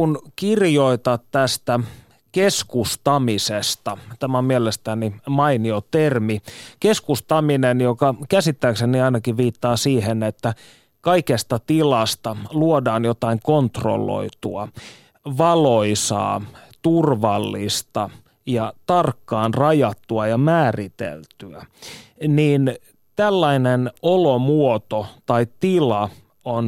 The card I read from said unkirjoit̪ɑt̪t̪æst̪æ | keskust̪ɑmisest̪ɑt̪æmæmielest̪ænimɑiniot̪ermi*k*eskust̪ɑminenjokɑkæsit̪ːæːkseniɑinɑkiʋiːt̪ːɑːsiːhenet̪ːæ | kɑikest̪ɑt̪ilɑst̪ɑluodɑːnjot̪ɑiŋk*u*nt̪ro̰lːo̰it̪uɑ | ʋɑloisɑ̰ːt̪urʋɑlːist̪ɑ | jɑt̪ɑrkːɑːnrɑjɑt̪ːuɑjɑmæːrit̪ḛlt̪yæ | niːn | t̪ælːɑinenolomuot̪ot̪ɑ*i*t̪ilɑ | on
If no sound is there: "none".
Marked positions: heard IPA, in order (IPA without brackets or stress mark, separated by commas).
k, o, i